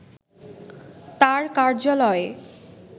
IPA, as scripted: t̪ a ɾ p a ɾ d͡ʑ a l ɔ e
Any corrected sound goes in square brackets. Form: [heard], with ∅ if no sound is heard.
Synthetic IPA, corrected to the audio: t̪ a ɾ [k] a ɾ d͡ʑ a l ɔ e

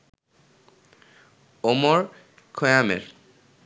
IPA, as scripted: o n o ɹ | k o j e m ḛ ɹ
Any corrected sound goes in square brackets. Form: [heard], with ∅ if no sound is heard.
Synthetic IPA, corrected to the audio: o [m] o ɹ | [kʰ] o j [a] m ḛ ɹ

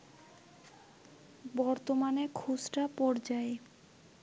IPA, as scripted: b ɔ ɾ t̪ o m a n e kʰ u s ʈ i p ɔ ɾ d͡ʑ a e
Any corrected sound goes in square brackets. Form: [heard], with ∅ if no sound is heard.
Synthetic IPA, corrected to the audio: b ɔ ɾ t̪ o m a n e kʰ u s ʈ [a] p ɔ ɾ d͡ʑ a e

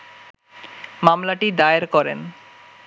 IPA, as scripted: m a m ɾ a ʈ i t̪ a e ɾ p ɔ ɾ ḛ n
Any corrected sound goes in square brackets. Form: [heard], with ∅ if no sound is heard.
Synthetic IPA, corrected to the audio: m a m [l] a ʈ i [d̪] a e ɾ [k] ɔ ɾ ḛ n

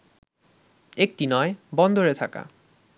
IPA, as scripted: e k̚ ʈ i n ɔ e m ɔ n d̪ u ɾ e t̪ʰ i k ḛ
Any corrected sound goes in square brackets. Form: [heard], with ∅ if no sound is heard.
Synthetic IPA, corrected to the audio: e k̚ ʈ i n ɔ e [b] ɔ n d̪ [o] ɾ e t̪ʰ [a] k [a̰]

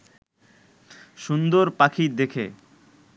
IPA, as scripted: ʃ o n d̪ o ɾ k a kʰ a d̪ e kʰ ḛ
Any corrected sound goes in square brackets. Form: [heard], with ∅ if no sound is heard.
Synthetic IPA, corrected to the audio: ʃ [u] n d̪ o ɾ [p] a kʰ [i] d̪ e kʰ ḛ

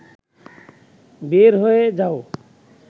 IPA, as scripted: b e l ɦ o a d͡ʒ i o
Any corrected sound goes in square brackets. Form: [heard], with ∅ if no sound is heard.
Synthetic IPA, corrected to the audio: b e [ɾ] ɦ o [e] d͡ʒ [a] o

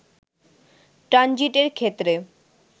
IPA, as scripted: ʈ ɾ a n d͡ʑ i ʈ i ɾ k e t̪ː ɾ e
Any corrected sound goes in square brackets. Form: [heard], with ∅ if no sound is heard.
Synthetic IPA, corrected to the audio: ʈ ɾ a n d͡ʑ i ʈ [e] ɾ [kʰ] e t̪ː ɾ e

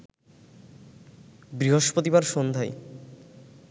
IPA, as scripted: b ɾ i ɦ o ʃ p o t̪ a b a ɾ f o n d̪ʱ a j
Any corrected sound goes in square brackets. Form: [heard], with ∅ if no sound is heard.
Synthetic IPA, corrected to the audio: b ɾ i ɦ o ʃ p o t̪ [i] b a ɾ [ʃ] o n d̪ʱ a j

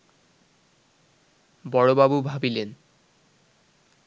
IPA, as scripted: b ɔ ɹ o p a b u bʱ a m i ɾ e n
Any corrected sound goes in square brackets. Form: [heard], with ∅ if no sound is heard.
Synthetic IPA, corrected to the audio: b ɔ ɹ o [b] a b u bʱ a [b] i [l] e n

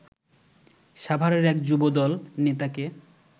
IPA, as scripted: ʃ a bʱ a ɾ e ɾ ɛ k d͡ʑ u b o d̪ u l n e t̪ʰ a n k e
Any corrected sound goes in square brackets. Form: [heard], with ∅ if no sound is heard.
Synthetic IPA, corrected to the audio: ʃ a bʱ a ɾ e ɾ ɛ k d͡ʑ u b o d̪ [ɔ] l n e [t̪] a [∅] k e

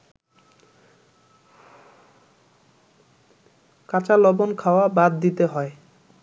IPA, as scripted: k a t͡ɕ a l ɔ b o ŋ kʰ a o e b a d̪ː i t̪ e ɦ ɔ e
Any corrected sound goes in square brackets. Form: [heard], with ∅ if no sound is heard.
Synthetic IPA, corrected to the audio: k a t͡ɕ a l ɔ b o [n] kʰ a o [a] b a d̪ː i t̪ e ɦ ɔ e

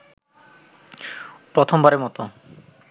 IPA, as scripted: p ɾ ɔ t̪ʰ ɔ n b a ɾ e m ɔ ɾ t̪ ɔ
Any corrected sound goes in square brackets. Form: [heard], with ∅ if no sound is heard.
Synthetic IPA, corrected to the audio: p ɾ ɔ t̪ʰ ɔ [m] b a ɾ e m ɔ [∅] t̪ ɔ

